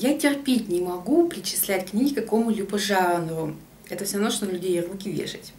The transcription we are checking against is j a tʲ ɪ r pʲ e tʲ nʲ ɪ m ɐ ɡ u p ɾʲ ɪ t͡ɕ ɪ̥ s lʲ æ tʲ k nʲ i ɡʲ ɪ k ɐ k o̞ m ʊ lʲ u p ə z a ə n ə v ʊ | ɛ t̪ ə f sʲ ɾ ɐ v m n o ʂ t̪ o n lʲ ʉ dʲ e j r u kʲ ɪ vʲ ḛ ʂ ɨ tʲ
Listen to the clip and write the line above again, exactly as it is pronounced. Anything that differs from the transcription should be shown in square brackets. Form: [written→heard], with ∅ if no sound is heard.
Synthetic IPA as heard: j a tʲ ɪ r pʲ e tʲ nʲ ɪ m ɐ ɡ u p ɾʲ ɪ t͡ɕ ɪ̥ s lʲ æ tʲ k nʲ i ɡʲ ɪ k ɐ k o̞ m ʊ lʲ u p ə [z→ʐ] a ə n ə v ʊ | ɛ t̪ ə f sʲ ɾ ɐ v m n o ʂ t̪ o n lʲ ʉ dʲ e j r u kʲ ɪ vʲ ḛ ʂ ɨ tʲ

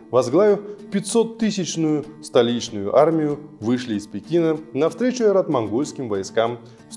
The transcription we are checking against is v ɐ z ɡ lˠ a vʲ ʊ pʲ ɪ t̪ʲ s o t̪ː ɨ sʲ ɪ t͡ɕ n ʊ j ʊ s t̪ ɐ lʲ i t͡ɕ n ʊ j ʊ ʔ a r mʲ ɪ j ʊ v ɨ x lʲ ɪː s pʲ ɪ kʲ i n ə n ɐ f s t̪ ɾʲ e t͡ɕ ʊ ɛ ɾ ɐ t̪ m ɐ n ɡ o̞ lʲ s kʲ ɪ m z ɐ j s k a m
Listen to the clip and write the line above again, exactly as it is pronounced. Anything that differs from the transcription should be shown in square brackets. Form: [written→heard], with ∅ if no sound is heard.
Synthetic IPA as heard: v ɐ z ɡ lˠ a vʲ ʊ pʲ ɪ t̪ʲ s o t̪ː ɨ sʲ ɪ t͡ɕ n ʊ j ʊ s t̪ ɐ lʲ i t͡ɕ n ʊ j ʊ ʔ a r mʲ ɪ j ʊ v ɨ [x→ʂ] lʲ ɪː s pʲ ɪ kʲ i n ə n ɐ f s t̪ ɾʲ e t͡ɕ ʊ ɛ ɾ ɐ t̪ m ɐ n ɡ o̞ lʲ s kʲ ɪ m [z→v] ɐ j s k a m

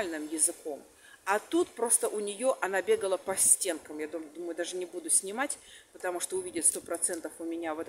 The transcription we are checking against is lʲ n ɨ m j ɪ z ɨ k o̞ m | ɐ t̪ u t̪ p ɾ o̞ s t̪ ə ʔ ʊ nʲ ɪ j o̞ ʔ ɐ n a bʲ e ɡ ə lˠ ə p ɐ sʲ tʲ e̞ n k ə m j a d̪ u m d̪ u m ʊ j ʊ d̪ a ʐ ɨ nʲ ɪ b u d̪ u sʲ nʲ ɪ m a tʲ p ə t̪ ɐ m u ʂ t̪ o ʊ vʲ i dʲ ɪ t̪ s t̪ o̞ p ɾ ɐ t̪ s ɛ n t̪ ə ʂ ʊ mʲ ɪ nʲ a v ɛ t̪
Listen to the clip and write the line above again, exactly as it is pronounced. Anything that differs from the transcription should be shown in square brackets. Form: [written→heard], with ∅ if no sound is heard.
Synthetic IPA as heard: lʲ n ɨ m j ɪ z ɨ k o̞ m | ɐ t̪ u t̪ p ɾ o̞ s t̪ ə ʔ ʊ nʲ ɪ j o̞ ʔ ɐ n a bʲ e ɡ ə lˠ ə p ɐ sʲ tʲ e̞ n k ə m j a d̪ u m d̪ u m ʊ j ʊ d̪ a ʐ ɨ nʲ ɪ b u d̪ [u→ʊ] sʲ nʲ ɪ m a tʲ p ə t̪ ɐ m u ʂ t̪ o ʊ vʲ i dʲ ɪ t̪ s t̪ o̞ p ɾ ɐ t̪ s ɛ n t̪ ə [ʂ→f] ʊ mʲ ɪ nʲ a v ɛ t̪

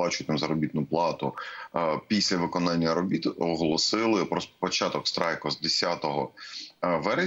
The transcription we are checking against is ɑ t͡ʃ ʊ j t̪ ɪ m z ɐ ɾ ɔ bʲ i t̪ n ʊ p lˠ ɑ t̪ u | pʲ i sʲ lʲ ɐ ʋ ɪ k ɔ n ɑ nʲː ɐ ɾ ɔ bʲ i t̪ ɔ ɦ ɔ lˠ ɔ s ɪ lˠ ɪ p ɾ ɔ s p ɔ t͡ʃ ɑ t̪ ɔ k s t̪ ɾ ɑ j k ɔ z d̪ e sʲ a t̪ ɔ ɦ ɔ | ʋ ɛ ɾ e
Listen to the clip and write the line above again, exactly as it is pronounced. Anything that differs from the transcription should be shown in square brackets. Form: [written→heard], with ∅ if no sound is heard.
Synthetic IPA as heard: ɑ t͡ʃ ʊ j t̪ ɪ m z ɐ ɾ ɔ bʲ i t̪ n ʊ p lˠ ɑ t̪ [u→ʊ] | pʲ i sʲ lʲ ɐ ʋ ɪ k ɔ n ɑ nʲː ɐ ɾ ɔ bʲ i t̪ ɔ ɦ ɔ lˠ ɔ s ɪ lˠ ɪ p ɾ ɔ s p ɔ t͡ʃ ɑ t̪ ɔ k s t̪ ɾ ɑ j k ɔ z d̪ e sʲ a t̪ ɔ ɦ ɔ | ʋ ɛ ɾ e

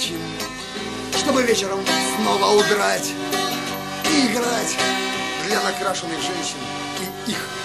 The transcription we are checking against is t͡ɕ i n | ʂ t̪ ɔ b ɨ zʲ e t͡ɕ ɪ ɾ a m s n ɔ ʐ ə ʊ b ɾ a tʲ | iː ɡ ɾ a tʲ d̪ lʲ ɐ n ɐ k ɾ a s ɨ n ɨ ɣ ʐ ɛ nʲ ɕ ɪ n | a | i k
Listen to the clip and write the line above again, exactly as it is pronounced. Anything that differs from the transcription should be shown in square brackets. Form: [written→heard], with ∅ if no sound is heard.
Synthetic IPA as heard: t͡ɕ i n | ʂ t̪ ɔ b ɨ [zʲ→vʲ] e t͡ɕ ɪ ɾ [a→ə] m s n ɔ [ʐ→v] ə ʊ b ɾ a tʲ | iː ɡ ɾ a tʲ d̪ lʲ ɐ n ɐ k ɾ a [s→ʂ] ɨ n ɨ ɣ ʐ ɛ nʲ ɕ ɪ n | [a→i] | i [k→x]

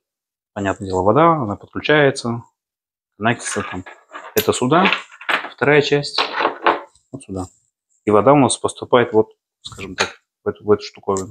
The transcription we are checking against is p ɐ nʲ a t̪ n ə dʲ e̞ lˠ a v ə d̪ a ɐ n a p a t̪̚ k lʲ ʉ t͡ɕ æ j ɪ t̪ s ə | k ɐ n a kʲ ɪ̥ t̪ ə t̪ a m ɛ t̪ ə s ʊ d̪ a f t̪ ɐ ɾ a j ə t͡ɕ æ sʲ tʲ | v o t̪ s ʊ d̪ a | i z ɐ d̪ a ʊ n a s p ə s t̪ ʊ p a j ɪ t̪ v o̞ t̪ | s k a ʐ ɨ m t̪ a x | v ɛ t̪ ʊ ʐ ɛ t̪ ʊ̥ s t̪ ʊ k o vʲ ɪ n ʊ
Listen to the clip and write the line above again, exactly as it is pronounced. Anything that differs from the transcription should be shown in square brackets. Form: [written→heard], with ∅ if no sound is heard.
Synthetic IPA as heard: p ɐ nʲ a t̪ n ə dʲ e̞ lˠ [a→ə] v [ə→ɐ] d̪ a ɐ n a p [a→ə] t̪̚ k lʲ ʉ t͡ɕ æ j ɪ t̪ s ə | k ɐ n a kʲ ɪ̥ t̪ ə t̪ a m ɛ t̪ ə s ʊ d̪ a f t̪ ɐ ɾ a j ə t͡ɕ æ sʲ tʲ | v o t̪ s ʊ d̪ a | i [z→v] ɐ d̪ a ʊ n a s p ə s t̪ ʊ p a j ɪ t̪ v o̞ t̪ | s k a ʐ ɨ m t̪ a [x→k] | v ɛ t̪ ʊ [ʐ→v] ɛ t̪ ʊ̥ [s→ʂ] t̪ ʊ k o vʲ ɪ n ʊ

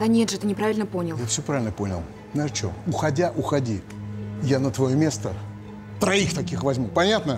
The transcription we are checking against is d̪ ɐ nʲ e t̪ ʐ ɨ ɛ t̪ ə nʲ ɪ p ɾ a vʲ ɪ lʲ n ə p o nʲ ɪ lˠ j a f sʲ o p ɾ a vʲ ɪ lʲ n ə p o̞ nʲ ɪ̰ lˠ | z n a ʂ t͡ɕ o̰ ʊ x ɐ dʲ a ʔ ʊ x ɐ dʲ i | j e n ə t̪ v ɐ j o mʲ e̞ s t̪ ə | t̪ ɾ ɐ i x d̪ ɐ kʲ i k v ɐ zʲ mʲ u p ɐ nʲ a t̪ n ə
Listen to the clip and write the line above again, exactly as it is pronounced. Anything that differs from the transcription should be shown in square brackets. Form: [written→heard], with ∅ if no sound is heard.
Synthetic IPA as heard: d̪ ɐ nʲ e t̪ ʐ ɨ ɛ t̪ ə nʲ ɪ p ɾ a vʲ ɪ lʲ n ə p o nʲ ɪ lˠ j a f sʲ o p ɾ a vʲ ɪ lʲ n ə p o̞ nʲ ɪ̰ lˠ | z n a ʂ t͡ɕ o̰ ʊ x ɐ dʲ a ʔ ʊ x ɐ dʲ i | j [e→a] n ə t̪ v ɐ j o mʲ e̞ s t̪ ə | t̪ ɾ ɐ i x [d̪→t̪] ɐ kʲ i [k→x] v ɐ zʲ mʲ u p ɐ nʲ a t̪ n ə

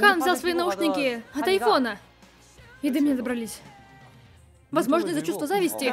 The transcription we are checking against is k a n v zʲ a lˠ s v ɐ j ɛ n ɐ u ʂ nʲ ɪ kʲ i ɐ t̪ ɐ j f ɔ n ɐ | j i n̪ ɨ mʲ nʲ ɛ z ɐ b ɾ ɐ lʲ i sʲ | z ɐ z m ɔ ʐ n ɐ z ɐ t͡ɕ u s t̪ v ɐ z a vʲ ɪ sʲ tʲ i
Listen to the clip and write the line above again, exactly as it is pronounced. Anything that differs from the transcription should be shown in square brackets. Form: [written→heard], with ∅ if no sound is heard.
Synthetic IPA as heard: k a n v zʲ a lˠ s v ɐ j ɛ n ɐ u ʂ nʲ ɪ kʲ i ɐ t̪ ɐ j f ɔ n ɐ | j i [n̪→d̪] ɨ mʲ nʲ ɛ z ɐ b ɾ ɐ lʲ i sʲ | [z→v] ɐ z m ɔ ʐ n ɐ z ɐ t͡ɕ u s t̪ v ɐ z a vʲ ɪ sʲ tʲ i

